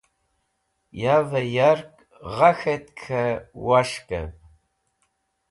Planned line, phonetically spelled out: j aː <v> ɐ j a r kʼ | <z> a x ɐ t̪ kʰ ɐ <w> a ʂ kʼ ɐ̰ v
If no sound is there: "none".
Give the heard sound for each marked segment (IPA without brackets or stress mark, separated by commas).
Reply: v, ʁ, w